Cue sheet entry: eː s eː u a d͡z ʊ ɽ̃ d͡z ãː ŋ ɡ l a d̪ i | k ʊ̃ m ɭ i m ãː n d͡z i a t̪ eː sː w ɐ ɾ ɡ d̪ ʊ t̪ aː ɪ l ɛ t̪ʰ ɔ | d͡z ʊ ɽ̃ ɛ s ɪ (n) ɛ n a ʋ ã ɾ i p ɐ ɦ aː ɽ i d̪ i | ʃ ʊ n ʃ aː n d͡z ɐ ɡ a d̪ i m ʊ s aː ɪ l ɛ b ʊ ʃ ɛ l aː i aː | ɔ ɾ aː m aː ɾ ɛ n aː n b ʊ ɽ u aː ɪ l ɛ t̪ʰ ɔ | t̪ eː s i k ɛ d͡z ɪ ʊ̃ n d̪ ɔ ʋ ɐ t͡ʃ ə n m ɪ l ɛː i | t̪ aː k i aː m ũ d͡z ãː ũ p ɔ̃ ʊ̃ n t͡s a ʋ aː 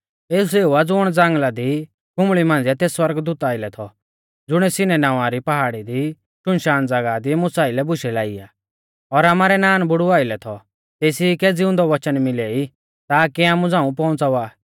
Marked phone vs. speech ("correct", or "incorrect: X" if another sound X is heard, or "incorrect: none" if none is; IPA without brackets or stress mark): correct